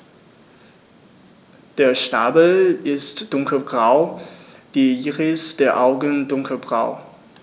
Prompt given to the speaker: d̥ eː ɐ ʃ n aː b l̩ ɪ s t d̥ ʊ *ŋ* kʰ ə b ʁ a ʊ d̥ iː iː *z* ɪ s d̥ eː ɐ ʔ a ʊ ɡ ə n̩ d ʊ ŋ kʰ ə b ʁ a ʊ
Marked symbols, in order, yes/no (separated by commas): yes, no